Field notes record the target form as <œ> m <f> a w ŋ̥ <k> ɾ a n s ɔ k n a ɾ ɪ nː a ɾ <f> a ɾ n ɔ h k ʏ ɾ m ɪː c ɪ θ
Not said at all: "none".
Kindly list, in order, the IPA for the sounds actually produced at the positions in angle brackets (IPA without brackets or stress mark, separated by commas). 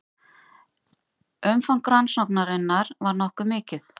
œ, f, k, v